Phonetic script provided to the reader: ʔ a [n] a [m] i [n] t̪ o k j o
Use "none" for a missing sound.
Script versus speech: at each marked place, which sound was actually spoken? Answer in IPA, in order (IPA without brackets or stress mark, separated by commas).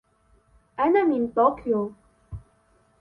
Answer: n, m, n